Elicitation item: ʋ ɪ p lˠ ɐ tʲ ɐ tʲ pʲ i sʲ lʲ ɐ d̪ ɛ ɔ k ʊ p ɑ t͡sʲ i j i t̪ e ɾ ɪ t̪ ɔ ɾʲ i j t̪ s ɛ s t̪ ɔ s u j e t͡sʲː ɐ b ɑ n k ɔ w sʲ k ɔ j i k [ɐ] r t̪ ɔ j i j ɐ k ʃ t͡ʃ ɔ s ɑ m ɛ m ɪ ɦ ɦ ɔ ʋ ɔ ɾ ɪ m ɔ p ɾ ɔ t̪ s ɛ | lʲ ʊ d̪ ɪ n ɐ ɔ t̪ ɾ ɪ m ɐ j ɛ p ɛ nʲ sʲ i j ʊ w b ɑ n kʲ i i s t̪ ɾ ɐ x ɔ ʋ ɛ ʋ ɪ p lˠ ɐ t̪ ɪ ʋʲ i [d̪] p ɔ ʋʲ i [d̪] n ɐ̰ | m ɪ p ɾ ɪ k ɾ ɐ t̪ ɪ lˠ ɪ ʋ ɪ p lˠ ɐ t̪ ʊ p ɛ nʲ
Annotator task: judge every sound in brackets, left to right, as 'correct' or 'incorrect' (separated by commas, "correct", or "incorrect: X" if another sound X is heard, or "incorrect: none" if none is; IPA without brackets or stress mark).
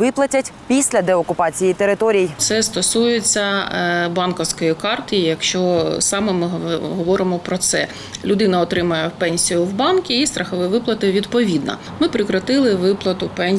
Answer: incorrect: ɑ, correct, correct